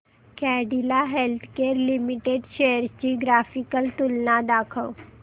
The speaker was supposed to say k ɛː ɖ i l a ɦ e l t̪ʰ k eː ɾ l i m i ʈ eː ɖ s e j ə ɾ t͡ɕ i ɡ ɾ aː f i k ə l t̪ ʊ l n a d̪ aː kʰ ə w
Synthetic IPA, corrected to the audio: k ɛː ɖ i l a ɦ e l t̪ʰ k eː ɾ l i m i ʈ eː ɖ ʃ e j ə ɾ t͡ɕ i ɡ ɾ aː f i k ə l t̪ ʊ l n a d̪ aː kʰ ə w